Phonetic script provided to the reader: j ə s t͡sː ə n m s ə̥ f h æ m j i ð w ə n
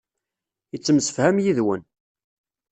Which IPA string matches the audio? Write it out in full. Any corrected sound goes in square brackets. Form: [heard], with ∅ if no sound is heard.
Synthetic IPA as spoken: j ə [∅] t͡sː ə [∅] m s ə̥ f h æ m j i ð w ə n